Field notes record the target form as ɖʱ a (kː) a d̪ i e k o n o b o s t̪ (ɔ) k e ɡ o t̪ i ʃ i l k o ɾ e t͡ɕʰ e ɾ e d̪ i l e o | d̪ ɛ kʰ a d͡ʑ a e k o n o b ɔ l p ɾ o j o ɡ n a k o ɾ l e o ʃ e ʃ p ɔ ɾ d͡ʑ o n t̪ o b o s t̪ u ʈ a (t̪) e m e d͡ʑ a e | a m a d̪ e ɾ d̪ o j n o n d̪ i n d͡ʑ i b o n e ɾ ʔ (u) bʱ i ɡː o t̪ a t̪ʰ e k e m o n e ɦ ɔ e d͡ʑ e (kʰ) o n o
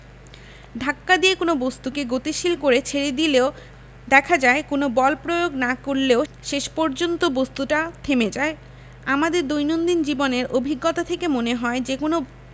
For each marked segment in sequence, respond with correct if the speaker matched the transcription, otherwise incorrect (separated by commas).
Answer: correct, incorrect, incorrect, incorrect, incorrect